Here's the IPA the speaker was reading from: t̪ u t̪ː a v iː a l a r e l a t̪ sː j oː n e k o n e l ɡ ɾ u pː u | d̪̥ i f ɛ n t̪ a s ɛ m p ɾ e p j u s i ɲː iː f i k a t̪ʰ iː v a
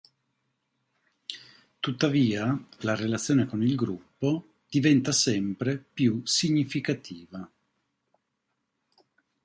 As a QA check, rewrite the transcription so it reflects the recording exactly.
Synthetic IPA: t̪ u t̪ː a v iː a l a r e l a t̪ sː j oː n e k o n i l ɡ ɾ u pː o | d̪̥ i v ɛ n t̪ a s ɛ m p ɾ e p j u s i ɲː i f i k a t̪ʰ iː v a